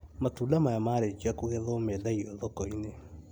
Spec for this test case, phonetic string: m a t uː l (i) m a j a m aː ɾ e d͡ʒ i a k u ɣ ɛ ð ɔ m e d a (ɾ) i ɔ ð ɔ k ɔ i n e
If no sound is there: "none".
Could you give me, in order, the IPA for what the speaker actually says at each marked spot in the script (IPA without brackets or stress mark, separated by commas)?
a, none